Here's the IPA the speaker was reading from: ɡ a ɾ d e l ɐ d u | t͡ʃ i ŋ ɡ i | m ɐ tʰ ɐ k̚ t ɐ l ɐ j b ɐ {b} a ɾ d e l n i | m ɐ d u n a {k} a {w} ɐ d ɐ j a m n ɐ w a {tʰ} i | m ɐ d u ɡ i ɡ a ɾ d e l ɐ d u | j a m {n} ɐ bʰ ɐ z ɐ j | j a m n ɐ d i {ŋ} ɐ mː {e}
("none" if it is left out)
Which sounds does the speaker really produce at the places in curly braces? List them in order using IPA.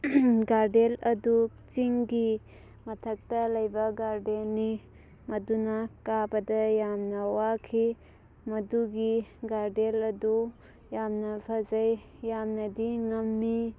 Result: ɡ, k, b, kʰ, n, ŋ, i

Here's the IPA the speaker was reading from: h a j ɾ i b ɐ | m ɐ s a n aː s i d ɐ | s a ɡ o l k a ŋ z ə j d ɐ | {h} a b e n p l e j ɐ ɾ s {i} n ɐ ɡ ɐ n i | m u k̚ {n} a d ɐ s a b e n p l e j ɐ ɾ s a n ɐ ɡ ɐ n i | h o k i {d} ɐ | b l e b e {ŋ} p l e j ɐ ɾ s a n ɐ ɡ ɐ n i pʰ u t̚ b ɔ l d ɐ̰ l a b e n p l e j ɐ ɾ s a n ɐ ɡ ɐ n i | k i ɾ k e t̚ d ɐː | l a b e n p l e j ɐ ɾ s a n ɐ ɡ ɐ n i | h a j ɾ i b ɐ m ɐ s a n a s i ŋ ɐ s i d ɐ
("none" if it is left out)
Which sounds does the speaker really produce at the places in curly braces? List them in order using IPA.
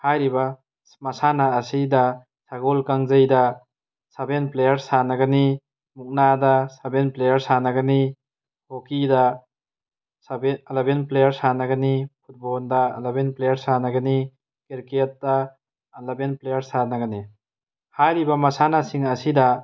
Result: s, a, n, d, n

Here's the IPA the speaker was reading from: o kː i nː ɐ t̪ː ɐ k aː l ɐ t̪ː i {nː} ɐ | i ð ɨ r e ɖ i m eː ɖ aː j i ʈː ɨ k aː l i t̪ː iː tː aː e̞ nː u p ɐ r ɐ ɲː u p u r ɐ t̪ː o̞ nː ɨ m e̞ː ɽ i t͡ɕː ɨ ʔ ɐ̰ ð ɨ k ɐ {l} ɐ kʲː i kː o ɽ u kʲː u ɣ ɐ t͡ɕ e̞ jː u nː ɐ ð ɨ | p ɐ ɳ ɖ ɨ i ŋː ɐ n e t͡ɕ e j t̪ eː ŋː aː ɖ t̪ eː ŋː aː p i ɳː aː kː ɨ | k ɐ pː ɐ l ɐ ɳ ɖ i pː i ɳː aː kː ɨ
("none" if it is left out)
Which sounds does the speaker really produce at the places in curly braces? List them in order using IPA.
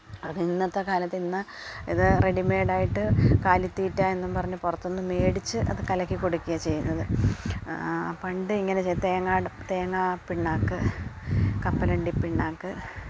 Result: nː, l

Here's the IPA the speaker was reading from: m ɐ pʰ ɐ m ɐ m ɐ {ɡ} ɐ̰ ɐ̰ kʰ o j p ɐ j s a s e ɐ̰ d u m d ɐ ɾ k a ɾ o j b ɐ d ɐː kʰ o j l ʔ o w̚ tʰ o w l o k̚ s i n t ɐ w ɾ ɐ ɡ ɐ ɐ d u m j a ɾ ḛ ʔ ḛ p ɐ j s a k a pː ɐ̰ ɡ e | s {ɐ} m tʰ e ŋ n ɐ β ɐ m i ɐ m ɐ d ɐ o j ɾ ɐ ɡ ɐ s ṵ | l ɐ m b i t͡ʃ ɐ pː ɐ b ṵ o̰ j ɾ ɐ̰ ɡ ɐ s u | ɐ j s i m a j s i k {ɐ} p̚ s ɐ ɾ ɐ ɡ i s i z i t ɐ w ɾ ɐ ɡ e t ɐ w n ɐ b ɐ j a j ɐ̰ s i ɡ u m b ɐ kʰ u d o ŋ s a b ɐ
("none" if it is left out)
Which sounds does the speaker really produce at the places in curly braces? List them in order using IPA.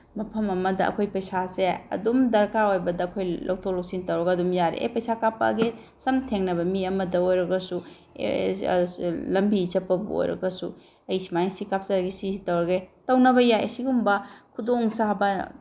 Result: d, ɐ, a

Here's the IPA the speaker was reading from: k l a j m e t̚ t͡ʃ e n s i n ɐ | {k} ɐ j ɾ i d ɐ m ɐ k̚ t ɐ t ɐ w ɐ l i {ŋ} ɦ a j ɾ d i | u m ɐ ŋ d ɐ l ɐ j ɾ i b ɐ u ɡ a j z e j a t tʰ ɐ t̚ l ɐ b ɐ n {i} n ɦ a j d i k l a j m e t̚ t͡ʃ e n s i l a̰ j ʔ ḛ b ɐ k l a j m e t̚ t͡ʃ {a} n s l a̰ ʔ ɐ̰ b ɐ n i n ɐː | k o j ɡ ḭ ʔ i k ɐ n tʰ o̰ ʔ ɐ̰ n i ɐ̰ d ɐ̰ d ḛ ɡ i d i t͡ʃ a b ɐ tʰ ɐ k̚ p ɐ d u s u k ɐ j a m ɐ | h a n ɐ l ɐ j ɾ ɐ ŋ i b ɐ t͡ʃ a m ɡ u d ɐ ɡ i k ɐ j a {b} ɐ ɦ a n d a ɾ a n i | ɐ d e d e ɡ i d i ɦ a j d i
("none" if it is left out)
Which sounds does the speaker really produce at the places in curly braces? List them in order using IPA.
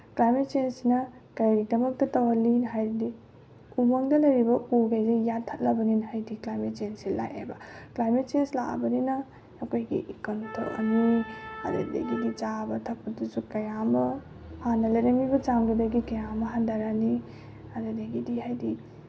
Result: k, n, i, e, m

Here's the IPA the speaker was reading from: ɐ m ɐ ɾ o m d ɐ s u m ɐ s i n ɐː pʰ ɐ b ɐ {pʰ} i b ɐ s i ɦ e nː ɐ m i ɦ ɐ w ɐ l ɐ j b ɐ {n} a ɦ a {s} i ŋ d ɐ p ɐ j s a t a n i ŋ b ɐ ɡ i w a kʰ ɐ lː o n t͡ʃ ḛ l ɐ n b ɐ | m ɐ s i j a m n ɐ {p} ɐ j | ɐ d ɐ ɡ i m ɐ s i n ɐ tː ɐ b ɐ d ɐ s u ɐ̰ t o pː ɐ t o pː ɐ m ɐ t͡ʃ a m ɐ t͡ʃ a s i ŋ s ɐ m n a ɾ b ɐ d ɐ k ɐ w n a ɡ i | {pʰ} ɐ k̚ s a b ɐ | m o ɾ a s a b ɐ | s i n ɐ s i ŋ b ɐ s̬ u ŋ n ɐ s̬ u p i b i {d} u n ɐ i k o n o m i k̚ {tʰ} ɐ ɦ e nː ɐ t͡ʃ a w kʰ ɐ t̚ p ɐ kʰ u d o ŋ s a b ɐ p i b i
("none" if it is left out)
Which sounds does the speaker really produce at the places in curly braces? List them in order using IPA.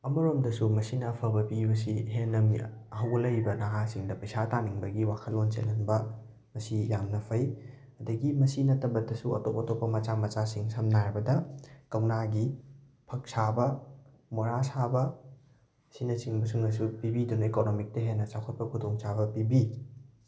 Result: p, n, s, pʰ, pʰ, d, t

